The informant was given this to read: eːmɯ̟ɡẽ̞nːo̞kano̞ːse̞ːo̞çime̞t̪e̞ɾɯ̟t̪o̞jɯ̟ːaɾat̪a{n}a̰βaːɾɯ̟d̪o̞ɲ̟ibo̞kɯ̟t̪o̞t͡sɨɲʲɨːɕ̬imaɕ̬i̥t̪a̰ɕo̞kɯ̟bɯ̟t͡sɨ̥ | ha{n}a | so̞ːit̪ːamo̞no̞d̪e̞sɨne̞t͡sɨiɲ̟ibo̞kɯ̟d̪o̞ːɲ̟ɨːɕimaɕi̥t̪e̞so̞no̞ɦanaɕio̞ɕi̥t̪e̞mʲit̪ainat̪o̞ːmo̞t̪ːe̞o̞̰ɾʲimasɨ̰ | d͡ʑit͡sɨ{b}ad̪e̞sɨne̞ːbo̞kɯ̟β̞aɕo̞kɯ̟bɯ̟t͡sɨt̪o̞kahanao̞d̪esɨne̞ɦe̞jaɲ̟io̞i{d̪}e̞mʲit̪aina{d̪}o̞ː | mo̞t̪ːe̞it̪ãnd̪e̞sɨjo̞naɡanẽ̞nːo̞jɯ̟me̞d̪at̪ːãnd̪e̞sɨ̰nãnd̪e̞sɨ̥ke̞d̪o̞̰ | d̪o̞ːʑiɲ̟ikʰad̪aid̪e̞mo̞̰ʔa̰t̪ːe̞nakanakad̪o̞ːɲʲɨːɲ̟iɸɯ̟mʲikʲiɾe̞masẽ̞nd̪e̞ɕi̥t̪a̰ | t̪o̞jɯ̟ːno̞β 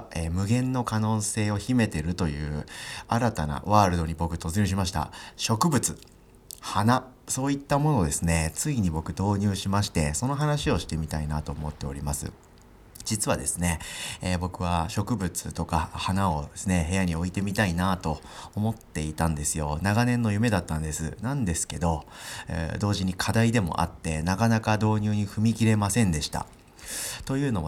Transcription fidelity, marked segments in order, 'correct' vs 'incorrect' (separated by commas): correct, correct, incorrect, incorrect, incorrect